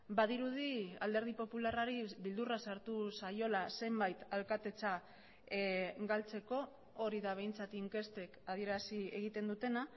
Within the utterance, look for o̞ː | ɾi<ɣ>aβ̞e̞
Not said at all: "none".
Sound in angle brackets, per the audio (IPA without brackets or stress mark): ð